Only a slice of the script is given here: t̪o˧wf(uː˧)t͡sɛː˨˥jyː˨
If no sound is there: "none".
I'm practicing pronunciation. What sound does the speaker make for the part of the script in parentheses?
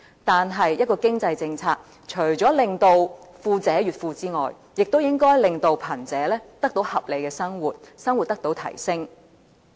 uː˧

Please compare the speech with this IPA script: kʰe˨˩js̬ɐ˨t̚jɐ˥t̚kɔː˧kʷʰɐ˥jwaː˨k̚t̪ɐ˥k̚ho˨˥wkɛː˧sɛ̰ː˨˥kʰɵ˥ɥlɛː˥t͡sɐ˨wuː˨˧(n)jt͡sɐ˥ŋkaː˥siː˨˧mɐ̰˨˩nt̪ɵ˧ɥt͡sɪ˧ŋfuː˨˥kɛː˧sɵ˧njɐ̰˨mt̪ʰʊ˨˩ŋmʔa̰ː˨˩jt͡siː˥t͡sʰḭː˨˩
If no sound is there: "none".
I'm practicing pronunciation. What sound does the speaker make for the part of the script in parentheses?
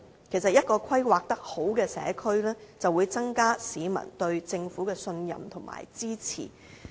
none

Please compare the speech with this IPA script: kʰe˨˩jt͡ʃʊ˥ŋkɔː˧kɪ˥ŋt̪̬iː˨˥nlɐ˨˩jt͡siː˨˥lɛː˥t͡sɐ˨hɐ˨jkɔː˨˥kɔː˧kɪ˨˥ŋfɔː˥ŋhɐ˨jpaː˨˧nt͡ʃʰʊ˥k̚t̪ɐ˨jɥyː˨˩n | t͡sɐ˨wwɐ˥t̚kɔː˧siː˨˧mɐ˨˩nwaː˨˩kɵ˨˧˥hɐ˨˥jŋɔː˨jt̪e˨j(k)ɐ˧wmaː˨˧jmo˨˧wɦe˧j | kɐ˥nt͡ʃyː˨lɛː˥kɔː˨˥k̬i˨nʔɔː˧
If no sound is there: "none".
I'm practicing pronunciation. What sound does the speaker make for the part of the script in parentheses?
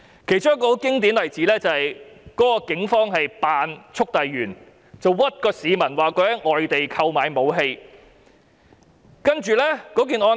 kʰ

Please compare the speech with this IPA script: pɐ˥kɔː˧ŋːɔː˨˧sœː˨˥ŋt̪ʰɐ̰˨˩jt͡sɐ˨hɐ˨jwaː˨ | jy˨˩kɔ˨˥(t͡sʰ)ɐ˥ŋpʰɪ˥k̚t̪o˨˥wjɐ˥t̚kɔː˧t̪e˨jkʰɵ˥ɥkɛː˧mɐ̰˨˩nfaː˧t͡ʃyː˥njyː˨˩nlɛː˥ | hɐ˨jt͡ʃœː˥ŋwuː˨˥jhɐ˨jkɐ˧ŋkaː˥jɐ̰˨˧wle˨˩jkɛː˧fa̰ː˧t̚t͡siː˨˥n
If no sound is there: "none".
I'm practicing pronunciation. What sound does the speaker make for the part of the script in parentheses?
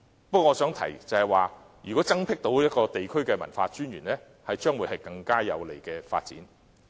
t͡s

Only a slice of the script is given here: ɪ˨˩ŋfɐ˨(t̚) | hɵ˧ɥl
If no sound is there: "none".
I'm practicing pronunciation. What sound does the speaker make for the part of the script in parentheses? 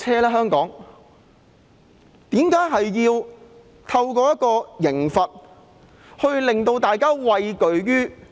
t̚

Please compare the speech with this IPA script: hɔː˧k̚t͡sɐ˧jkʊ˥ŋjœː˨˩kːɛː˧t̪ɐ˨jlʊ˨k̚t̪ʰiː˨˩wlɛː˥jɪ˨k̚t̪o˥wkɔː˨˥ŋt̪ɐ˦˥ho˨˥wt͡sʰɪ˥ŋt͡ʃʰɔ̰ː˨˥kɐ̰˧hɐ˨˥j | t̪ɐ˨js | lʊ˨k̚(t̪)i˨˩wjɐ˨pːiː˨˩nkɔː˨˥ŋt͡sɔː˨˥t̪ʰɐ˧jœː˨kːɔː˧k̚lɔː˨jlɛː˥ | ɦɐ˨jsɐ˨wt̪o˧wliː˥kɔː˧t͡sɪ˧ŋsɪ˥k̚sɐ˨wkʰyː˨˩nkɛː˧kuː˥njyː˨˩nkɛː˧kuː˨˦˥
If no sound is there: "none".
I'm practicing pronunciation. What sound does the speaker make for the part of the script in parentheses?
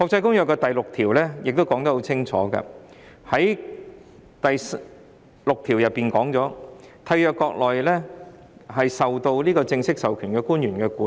t̪ʰ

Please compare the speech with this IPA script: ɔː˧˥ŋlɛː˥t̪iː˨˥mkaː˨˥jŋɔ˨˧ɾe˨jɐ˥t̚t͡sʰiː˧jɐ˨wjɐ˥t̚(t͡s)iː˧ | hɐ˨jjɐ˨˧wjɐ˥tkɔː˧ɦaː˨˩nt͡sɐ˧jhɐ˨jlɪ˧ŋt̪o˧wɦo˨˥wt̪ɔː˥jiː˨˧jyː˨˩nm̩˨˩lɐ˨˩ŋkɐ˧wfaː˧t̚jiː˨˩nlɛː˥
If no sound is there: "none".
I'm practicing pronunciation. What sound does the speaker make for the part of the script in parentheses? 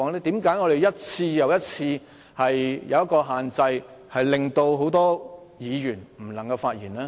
t͡sʰ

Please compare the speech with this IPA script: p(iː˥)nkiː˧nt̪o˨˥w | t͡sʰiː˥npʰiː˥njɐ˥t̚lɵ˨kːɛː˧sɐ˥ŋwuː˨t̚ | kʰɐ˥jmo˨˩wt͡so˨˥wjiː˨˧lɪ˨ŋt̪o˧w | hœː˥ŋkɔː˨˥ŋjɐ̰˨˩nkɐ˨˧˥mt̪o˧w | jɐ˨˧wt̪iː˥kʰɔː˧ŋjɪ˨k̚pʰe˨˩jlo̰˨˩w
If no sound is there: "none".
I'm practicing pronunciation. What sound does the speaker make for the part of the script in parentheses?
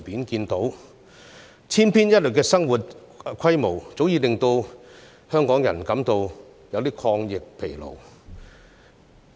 iː˨˥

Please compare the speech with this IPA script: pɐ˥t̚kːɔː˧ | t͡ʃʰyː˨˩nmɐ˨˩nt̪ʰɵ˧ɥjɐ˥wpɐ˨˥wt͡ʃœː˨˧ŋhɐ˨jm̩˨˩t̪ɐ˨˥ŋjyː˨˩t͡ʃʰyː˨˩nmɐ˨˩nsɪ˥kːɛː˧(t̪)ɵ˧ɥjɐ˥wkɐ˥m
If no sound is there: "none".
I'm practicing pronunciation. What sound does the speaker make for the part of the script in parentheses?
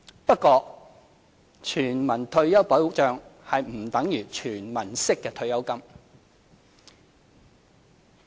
t̪ʰ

